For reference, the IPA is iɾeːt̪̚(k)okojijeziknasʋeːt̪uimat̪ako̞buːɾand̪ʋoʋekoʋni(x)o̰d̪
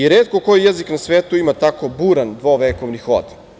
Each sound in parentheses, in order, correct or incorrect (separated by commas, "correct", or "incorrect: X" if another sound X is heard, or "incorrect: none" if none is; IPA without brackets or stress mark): correct, correct